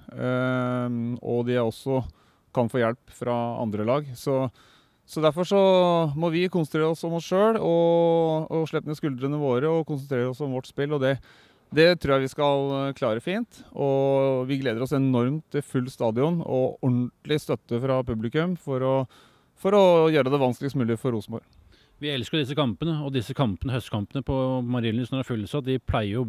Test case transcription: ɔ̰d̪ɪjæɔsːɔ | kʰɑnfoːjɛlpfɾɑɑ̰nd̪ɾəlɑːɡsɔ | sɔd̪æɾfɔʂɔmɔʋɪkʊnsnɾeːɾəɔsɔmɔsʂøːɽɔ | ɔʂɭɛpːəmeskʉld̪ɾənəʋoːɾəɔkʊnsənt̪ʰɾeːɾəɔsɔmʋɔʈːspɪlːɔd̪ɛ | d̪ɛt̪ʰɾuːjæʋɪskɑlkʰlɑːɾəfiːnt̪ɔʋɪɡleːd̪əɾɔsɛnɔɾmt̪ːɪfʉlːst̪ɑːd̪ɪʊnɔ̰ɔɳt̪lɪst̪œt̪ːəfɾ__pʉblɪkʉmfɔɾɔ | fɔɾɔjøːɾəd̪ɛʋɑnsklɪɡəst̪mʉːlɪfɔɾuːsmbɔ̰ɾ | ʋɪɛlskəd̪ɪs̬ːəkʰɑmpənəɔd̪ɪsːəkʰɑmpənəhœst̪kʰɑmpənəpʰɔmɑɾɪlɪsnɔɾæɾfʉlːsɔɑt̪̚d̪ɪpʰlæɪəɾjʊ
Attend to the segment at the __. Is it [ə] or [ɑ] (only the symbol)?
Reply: ɑ